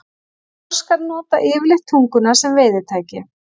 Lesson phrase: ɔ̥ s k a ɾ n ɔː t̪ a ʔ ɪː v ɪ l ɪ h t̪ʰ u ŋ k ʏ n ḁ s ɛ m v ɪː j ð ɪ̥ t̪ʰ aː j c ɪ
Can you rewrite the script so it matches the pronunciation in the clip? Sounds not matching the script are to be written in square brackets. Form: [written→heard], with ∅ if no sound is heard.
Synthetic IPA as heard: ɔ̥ s k a ɾ n ɔː t̪ a ʔ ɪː v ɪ l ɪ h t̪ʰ u ŋ k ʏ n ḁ s ɛ m v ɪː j ð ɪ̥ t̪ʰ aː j c ɪ